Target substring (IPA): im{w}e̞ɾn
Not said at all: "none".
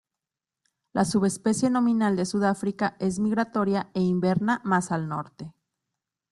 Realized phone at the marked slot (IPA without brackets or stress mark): b